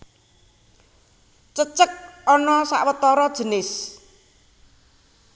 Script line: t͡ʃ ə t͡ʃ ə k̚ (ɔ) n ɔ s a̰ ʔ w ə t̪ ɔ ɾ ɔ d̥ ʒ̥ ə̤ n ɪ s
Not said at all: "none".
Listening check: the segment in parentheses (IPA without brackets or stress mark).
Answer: ɔ